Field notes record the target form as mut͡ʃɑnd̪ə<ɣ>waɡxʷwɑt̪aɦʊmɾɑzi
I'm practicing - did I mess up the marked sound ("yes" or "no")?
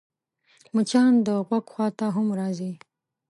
no